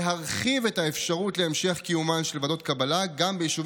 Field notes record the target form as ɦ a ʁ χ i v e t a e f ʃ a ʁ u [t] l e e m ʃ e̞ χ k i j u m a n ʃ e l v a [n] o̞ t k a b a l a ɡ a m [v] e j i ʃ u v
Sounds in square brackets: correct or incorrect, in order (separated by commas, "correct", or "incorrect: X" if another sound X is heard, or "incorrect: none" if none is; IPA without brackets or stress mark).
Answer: correct, incorrect: d, incorrect: b